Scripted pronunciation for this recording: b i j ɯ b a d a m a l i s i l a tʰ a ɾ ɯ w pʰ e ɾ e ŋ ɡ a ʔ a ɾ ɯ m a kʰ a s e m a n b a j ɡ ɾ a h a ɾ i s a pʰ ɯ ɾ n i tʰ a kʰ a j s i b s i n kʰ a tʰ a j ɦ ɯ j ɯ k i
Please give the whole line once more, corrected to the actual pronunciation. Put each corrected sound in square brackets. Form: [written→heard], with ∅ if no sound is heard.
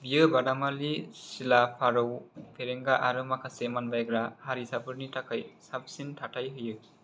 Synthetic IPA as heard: b i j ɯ b a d a m a l i s i l a [tʰ→pʰ] a ɾ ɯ w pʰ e ɾ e ŋ ɡ a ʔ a ɾ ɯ m a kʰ a s e m a n b a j ɡ ɾ a h a ɾ i s a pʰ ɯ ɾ n i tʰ a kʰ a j s [i→a] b s i n [kʰ→tʰ] a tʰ a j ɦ ɯ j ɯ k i